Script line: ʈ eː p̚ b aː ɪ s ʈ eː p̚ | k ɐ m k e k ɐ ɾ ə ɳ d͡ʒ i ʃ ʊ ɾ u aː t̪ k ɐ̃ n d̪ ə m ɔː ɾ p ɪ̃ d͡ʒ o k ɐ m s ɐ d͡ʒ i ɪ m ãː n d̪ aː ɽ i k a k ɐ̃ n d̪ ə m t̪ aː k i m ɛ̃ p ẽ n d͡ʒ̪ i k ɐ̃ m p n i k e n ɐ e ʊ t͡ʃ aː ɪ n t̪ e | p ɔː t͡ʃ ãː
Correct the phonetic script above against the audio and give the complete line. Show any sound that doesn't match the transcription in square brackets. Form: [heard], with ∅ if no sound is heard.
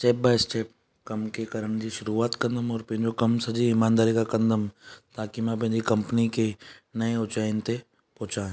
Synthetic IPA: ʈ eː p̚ b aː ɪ s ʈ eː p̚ | k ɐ m k e k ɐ ɾ ə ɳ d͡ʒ i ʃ ʊ ɾ u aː t̪ k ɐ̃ n d̪ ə m ɔː ɾ p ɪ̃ d͡ʒ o k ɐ m s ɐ d͡ʒ i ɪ m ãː n d̪ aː [ɾ] i k a k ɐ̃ n d̪ ə m t̪ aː k i m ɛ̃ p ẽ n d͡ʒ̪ i k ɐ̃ m p n i k e n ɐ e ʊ t͡ʃ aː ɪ n t̪ e | p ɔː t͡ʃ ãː

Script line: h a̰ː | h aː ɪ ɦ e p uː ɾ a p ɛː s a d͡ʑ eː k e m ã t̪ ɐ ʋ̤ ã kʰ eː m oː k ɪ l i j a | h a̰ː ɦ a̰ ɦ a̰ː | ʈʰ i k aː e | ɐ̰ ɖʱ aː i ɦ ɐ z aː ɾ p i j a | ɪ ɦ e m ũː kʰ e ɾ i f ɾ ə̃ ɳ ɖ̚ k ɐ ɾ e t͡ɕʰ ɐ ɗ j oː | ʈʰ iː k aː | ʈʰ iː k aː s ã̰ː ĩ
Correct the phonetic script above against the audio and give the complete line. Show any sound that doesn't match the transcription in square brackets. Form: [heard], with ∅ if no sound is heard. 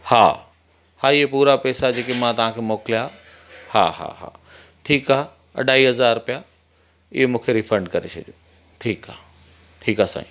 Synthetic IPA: h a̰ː | h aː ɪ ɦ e p uː ɾ a p ɛː s a d͡ʑ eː k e m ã t̪ ɐ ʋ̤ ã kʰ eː m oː k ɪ l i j a | h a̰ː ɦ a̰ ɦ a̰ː | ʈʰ [iː] k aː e | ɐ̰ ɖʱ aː i ɦ ɐ z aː ɾ p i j a | ɪ ɦ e m ũː kʰ e ɾ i f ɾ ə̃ ɳ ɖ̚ k ɐ ɾ e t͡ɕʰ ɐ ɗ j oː | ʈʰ iː k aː | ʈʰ iː k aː s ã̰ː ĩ

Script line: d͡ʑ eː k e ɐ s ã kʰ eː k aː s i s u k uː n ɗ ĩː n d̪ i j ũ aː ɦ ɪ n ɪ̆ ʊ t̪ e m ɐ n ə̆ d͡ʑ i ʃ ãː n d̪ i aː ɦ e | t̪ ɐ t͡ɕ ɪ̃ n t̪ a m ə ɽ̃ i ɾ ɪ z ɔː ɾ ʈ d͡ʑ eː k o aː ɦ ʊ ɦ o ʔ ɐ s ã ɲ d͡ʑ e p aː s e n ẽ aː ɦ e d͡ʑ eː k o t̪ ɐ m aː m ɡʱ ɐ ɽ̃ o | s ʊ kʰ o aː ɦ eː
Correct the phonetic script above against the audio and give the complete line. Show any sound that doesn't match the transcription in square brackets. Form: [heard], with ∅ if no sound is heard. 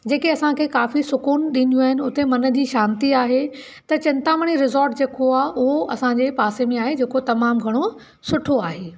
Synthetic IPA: d͡ʑ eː k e ɐ s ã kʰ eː k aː [f] i s [ʊ] k uː n ɗ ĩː n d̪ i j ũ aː ɦ ɪ n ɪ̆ ʊ t̪ e m ɐ n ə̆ d͡ʑ [iː] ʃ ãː n [t̪] i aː ɦ e | t̪ ɐ t͡ɕ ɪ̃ n t̪ a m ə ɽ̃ i ɾ ɪ z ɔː ɾ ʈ d͡ʑ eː k o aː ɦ ʊ ɦ o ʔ ɐ s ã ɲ d͡ʑ e p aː s e [m] ẽ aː ɦ e d͡ʑ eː k o t̪ ɐ m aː m ɡʱ ɐ ɽ̃ o | s ʊ [ʈʰ] o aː ɦ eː

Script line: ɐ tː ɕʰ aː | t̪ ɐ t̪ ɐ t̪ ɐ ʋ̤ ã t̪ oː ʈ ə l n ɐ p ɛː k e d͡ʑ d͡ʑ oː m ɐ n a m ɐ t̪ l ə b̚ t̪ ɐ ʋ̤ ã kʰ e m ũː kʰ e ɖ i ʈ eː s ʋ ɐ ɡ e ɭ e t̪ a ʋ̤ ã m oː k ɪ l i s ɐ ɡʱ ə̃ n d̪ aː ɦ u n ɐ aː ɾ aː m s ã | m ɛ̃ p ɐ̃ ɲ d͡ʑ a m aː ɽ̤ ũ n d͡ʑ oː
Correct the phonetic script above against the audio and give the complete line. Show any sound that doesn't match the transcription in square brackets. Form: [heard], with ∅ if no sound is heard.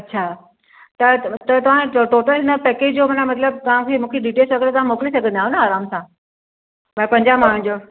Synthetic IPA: ɐ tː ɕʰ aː | t̪ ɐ t̪ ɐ t̪ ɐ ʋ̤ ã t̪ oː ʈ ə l n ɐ p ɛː k e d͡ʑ d͡ʑ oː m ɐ n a m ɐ t̪ l ə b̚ t̪ ɐ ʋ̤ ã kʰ e m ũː kʰ e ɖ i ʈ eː s ʋ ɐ ɡ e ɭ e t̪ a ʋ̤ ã m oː k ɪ l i s ɐ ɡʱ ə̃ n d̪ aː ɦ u n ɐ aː ɾ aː m s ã | m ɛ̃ p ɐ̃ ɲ d͡ʑ a m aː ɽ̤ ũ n d͡ʑ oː

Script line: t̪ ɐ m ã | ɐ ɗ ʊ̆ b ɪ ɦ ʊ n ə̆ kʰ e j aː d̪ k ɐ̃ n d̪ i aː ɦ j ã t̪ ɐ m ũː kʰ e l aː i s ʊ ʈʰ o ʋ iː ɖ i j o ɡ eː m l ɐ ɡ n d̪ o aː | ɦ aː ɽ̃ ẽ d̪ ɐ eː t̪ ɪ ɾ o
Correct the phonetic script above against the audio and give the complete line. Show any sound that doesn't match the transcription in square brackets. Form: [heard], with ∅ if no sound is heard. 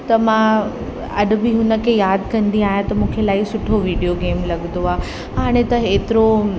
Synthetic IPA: t̪ ɐ m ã | ɐ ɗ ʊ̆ b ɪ ɦ ʊ n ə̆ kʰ e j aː d̪ k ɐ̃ n d̪ i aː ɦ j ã t̪ ɐ m ũː kʰ e l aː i s ʊ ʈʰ o ʋ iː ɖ i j o ɡ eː m l ɐ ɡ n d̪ o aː | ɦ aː ɽ̃ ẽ [t̪] ɐ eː t̪ ɪ ɾ o

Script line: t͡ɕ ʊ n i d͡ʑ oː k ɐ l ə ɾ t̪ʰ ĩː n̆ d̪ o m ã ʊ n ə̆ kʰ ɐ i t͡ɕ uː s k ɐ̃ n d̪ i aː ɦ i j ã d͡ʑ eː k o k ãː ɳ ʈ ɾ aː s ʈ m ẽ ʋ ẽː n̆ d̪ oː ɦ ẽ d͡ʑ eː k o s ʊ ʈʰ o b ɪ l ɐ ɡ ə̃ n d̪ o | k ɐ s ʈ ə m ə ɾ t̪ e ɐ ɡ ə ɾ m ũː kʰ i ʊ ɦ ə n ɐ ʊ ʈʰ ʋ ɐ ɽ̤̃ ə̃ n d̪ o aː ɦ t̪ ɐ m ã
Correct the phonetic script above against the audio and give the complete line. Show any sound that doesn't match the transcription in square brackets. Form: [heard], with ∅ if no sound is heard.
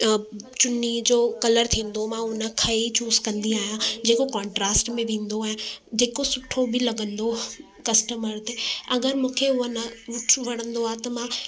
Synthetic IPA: t͡ɕ ʊ n i d͡ʑ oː k ɐ l ə ɾ t̪ʰ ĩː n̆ d̪ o m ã ʊ n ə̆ kʰ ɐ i t͡ɕ uː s k ɐ̃ n d̪ i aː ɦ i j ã d͡ʑ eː k o k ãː ɳ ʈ ɾ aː s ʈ m ẽ ʋ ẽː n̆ d̪ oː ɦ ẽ d͡ʑ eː k o s ʊ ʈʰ o b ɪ l ɐ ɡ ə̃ n d̪ o | k ɐ s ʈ ə m ə ɾ t̪ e ɐ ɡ ə ɾ m ũː kʰ [e] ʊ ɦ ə n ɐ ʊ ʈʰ ʋ ɐ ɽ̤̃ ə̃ n d̪ o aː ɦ t̪ ɐ m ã

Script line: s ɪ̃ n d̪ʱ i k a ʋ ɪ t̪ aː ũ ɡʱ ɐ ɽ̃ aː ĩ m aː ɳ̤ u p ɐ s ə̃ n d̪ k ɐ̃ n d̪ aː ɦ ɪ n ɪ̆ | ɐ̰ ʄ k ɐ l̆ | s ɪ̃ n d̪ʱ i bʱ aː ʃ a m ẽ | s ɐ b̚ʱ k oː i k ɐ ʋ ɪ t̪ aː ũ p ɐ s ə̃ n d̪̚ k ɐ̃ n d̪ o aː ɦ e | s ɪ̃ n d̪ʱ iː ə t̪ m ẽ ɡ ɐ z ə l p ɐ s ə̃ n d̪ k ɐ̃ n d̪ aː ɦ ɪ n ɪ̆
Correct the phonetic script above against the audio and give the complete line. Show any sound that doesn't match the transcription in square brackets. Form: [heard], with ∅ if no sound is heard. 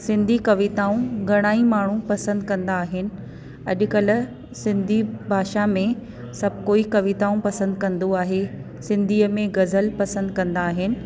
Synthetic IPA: s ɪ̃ n d̪ʱ i k [ɐ] ʋ ɪ t̪ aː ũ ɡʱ ɐ ɽ̃ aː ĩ m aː ɳ̤ u p ɐ s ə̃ n d̪ k ɐ̃ n d̪ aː ɦ ɪ n ɪ̆ | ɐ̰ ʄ k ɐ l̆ | s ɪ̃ n d̪ʱ i bʱ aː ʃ a m ẽ | s ɐ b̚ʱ k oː i k ɐ ʋ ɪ t̪ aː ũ p ɐ s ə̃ n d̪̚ k ɐ̃ n d̪ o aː ɦ e | s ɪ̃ n d̪ʱ iː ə [∅] m ẽ ɡ ɐ z ə l p ɐ s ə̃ n d̪ k ɐ̃ n d̪ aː ɦ ɪ n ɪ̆

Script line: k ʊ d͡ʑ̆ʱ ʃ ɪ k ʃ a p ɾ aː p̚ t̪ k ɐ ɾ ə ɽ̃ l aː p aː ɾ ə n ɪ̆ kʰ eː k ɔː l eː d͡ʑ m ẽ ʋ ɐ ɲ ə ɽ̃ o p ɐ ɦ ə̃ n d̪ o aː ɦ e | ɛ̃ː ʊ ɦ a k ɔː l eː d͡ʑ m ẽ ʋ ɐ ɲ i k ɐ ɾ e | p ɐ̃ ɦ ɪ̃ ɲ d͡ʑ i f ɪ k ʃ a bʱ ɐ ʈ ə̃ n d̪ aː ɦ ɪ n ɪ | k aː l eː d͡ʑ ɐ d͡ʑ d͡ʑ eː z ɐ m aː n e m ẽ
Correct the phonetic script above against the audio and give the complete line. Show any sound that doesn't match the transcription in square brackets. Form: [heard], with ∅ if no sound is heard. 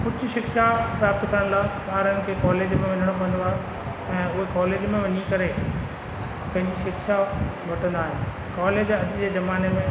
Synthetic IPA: k ʊ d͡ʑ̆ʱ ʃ ɪ k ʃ a p ɾ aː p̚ t̪ k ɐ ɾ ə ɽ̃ l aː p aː ɾ ə n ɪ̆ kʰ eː k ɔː l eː d͡ʑ m ẽ ʋ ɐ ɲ ə ɽ̃ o p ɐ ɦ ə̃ n d̪ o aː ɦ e | ɛ̃ː ʊ ɦ [e] k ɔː l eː d͡ʑ m ẽ ʋ ɐ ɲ i k ɐ ɾ e | p ɐ̃ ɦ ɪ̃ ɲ d͡ʑ i [ʃ] ɪ k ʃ a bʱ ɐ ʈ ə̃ n d̪ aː ɦ ɪ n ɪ | k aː l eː d͡ʑ ɐ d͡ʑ d͡ʑ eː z ɐ m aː n e m ẽ

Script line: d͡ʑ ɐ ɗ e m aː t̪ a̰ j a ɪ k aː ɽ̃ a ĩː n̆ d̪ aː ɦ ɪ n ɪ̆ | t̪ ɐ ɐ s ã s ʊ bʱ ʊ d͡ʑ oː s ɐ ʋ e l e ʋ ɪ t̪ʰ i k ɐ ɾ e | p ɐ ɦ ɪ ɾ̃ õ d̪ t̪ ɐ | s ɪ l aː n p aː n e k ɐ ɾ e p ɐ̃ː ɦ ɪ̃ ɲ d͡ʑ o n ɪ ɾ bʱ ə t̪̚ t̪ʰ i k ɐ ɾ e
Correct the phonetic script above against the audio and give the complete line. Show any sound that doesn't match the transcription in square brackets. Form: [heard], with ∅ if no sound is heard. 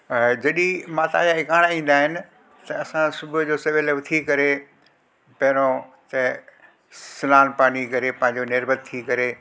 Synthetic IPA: d͡ʑ ɐ ɗ [i] m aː t̪ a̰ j a ɪ k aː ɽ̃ a ĩː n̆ d̪ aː ɦ ɪ n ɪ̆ | t̪ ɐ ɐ s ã s ʊ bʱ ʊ d͡ʑ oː s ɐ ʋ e l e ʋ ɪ t̪ʰ i k ɐ ɾ e | p ɐ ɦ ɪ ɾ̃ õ [∅] t̪ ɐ | s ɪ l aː n p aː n [i] k ɐ ɾ e p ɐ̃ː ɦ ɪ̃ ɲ d͡ʑ o n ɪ ɾ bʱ ə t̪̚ t̪ʰ i k ɐ ɾ e

